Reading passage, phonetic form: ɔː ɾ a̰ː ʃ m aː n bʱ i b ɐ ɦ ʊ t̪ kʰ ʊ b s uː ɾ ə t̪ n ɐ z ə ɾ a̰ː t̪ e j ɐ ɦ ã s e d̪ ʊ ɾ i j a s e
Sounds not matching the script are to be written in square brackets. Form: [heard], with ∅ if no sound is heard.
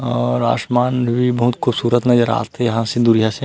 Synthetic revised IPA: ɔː ɾ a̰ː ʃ m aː n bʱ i b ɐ ɦ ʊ t̪ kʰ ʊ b s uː ɾ ə t̪ n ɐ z ə ɾ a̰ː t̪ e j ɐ ɦ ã s e d̪ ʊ ɾ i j a s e